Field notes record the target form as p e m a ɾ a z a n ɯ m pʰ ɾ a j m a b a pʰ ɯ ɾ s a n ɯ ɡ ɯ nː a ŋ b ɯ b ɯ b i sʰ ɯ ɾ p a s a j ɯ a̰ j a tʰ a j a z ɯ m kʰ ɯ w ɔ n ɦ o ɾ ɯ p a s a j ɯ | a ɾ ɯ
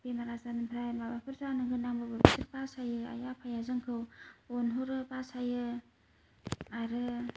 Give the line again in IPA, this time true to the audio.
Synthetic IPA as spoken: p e m a ɾ a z a n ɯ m pʰ ɾ a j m a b a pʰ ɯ ɾ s a n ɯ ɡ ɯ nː a ŋ b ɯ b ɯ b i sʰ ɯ ɾ p a s a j ɯ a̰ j a pʰ a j a z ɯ ŋ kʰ ɯ w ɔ n ɦ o ɾ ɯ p a s a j ɯ | a ɾ ɯ